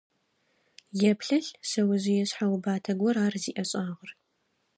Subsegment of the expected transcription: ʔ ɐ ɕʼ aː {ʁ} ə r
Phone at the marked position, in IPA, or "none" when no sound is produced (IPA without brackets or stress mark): ʁ